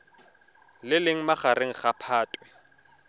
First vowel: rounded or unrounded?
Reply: unrounded